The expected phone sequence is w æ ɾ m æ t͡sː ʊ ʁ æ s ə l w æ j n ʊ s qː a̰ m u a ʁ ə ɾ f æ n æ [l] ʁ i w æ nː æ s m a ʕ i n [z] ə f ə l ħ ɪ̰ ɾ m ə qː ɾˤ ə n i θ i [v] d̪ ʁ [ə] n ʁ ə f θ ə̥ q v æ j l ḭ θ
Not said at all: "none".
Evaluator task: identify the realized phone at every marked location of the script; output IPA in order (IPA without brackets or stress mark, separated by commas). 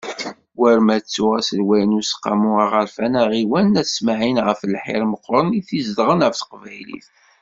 none, ʁ, z, ə